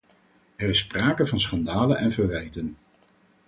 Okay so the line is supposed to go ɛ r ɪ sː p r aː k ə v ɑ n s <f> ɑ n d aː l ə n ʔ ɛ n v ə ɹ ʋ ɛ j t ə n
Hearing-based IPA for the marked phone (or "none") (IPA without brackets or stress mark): χ